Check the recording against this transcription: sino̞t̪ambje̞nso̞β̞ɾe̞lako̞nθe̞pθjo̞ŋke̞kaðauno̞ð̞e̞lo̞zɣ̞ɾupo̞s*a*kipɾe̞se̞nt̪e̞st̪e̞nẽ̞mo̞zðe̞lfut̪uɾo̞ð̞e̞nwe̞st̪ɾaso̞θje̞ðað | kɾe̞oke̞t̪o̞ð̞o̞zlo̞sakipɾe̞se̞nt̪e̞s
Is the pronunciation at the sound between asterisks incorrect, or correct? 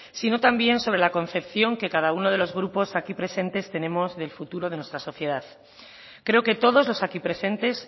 correct